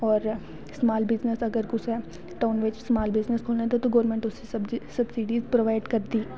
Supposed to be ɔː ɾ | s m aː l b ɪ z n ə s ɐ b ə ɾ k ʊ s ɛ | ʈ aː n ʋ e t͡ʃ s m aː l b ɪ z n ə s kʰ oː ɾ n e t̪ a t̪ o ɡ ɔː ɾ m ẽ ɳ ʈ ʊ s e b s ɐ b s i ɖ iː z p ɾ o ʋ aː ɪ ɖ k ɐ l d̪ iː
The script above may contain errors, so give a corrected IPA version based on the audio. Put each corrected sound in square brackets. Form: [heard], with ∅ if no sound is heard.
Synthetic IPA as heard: ɔː ɾ | s m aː l b ɪ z n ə s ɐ [ɡ] ə ɾ k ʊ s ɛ | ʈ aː n ʋ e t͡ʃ s m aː l b ɪ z n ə s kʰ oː [l] n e t̪ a t̪ o ɡ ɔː ɾ m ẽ ɳ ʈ ʊ s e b s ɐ b s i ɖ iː z p ɾ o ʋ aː ɪ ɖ k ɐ [ɾ] d̪ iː